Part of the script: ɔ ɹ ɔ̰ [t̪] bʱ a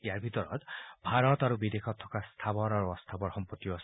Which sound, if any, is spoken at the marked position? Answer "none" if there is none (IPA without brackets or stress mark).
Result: t̪